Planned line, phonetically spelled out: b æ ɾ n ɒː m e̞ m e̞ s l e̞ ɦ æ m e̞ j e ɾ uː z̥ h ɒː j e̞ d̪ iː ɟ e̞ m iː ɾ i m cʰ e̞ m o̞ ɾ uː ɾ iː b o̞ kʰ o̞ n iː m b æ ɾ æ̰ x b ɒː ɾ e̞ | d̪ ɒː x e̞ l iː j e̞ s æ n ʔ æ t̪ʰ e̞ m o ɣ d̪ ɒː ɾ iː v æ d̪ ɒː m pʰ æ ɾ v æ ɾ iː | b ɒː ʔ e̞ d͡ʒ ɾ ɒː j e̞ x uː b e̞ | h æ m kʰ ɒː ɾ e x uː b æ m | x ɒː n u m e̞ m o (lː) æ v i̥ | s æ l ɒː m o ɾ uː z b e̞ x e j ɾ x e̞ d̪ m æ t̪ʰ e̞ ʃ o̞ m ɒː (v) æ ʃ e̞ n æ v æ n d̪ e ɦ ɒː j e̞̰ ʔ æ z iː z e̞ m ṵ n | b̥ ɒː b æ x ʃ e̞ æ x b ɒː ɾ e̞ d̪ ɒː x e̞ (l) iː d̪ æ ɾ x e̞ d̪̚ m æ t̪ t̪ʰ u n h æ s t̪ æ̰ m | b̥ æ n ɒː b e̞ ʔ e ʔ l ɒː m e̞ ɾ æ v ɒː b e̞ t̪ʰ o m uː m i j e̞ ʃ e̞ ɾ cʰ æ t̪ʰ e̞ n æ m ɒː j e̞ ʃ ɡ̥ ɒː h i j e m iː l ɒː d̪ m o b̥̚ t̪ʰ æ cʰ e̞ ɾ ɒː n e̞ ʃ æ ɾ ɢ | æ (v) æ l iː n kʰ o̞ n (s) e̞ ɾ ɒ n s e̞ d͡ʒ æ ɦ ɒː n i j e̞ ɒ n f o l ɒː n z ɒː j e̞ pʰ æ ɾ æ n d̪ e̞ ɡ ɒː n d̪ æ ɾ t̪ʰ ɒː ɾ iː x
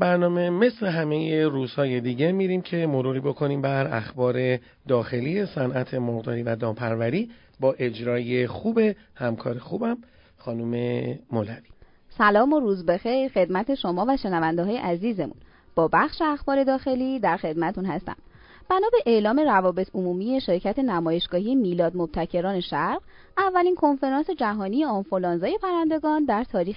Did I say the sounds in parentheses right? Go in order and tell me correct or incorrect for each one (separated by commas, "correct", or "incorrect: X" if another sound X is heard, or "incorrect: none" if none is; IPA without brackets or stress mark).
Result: incorrect: l, correct, correct, incorrect: vː, incorrect: f